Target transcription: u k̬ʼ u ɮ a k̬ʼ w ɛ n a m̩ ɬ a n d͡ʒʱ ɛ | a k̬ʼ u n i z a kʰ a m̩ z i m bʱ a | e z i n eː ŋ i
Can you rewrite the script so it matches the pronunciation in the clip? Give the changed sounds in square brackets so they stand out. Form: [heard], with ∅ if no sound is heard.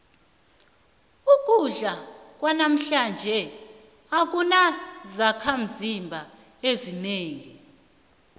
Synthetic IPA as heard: u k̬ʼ u ɮ a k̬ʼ w [a] n a m̩ ɬ a n d͡ʒʱ ɛ | a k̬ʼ u n [a] z a kʰ a m̩ z i m bʱ a | e z i n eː ŋ i